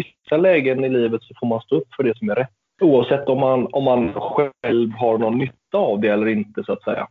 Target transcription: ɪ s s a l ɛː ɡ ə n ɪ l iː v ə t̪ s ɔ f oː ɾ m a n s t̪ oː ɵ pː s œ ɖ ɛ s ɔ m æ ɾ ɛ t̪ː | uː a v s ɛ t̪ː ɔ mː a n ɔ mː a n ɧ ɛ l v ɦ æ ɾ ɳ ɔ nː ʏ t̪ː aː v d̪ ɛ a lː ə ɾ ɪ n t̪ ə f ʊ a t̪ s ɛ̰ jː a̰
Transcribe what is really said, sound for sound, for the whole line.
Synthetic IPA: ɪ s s a l ɛː ɡ ə n ɪ l iː v ə t̪ s ɔ f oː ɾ m a n s t̪ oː ɵ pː f œ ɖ ɛ s ɔ m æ ɾ ɛ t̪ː | uː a v s ɛ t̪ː ɔ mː a n ɔ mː a n ɧ ɛ l v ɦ a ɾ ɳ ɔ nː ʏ t̪ː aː v d̪ ɛ ɛ lː ə ɾ ɪ n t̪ ə s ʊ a t̪ s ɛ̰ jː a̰